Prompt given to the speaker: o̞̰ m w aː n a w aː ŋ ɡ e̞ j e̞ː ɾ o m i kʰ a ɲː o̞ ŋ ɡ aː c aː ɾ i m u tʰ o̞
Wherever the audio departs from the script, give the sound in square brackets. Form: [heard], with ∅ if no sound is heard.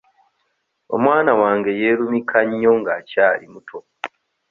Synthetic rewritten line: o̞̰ m w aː n a w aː ŋ ɡ e̞ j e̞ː ɾ [u] m i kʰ a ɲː o̞ ŋ ɡ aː c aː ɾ i m u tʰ o̞